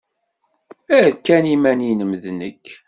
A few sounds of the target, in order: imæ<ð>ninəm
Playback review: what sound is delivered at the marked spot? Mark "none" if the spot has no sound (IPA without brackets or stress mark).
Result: none